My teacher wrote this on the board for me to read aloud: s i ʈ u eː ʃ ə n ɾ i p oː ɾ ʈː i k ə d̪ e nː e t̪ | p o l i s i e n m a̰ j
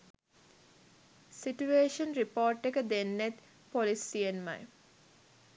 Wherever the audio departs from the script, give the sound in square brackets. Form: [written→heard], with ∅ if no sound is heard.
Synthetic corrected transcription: s i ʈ u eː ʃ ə n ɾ i p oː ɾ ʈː [i→e] k ə d̪ e nː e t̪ | p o l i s i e n m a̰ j

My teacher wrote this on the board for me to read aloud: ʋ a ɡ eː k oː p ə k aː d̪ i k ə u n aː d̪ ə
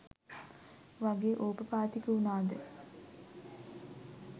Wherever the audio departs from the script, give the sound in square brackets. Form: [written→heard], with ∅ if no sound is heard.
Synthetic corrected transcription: ʋ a ɡ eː [k→ʔ] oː p ə [k→p] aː [d̪→t̪] i k ə u n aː d̪ ə

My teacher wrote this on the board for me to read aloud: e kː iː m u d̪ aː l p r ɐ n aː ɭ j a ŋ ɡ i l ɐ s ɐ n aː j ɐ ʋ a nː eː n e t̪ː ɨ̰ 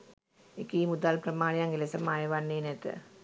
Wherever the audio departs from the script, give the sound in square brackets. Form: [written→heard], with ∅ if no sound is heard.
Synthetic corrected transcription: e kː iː m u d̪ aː l p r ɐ [n→m] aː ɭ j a ŋ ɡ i l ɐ s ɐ [n→m] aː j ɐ ʋ a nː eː n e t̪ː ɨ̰

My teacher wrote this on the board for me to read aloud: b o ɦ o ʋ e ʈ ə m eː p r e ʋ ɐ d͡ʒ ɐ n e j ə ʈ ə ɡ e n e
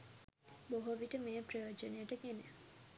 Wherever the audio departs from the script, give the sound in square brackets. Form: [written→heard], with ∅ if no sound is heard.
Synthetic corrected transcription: b o ɦ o ʋ [e→i] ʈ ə m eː p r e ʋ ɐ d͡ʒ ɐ n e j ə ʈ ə ɡ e n e

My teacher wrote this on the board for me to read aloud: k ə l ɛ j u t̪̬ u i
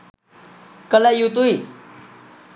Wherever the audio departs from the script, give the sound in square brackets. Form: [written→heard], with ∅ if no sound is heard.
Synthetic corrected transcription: k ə l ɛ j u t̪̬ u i

